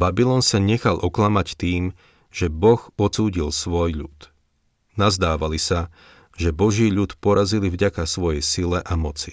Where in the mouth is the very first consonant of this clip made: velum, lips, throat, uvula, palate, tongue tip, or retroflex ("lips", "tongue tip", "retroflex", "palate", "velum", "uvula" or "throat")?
lips